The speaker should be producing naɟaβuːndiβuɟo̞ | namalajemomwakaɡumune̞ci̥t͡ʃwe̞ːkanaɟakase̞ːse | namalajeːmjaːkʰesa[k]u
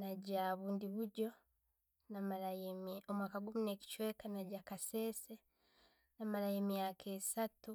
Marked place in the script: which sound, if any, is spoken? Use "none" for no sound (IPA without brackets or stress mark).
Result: t